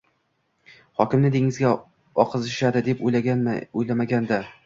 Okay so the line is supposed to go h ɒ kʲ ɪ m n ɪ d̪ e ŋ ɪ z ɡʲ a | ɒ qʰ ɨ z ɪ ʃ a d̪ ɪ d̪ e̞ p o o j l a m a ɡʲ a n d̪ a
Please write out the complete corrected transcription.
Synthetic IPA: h ɒ kʲ ɪ m n ɪ d̪ e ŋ ɪ z ɡʲ a | ɒ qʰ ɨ z ɪ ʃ a d̪ ɪ d̪ e̞ p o o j l a m a ɡʲ a n d̪ a